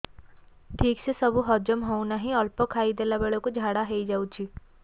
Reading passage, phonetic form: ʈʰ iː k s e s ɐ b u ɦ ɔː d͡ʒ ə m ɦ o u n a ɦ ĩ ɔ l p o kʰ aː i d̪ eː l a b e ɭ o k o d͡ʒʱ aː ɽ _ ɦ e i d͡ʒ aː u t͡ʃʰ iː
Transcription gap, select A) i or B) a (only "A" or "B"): B